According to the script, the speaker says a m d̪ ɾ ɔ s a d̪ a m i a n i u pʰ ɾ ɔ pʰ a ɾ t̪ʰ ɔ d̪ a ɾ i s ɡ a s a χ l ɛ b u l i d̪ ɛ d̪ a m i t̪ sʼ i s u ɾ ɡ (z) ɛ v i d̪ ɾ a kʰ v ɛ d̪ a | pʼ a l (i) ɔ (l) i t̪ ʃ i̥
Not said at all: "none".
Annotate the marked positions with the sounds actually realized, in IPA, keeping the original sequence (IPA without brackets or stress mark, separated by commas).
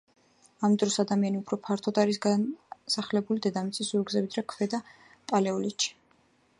z, ɛ, l